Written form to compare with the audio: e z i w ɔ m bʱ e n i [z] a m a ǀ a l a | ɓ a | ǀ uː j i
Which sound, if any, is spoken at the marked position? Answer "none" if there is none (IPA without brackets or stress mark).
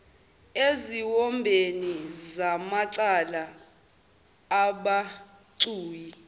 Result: z